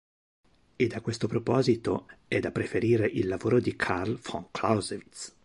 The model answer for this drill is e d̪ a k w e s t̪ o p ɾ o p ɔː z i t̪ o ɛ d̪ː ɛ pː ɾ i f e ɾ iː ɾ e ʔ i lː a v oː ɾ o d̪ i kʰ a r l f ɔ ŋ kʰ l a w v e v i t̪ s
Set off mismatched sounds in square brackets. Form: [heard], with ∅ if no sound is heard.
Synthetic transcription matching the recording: e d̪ a k w e s t̪ o p ɾ o p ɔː z i t̪ o ɛ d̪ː [a] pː ɾ [e] f e ɾ iː ɾ e ʔ i lː a v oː ɾ o d̪ i kʰ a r l f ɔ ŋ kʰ l a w [z] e v i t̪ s